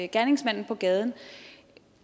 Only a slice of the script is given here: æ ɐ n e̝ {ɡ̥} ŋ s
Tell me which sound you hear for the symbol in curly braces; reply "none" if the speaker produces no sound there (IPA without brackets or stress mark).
none